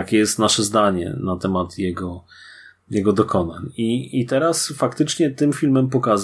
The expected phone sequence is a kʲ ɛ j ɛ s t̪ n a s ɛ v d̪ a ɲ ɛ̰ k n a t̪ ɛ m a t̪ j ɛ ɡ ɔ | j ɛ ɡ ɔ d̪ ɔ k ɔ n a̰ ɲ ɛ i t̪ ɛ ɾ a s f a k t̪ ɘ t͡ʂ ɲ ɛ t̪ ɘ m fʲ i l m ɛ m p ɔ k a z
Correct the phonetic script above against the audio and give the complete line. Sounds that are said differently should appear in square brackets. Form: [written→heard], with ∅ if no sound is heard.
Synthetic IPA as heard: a kʲ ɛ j ɛ s t̪ n a [s→ʂ] ɛ [v→z] d̪ a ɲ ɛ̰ [k→∅] n a t̪ ɛ m a t̪ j ɛ ɡ ɔ | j ɛ ɡ ɔ d̪ ɔ k ɔ n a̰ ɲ [ɛ→i] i t̪ ɛ ɾ a s f a k t̪ ɘ t͡ʂ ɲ ɛ t̪ ɘ m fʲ i l m ɛ m p ɔ k a z